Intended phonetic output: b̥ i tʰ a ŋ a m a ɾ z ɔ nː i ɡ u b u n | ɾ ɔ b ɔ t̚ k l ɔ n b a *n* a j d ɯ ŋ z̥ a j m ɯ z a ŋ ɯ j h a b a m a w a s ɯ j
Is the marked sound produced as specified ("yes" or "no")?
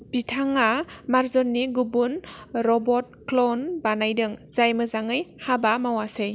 yes